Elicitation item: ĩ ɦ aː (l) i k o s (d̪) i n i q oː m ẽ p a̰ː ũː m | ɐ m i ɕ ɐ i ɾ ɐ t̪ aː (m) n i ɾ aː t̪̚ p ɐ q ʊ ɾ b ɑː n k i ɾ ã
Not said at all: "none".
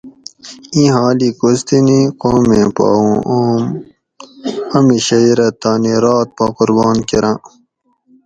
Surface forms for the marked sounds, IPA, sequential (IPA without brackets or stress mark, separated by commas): l, t̪, none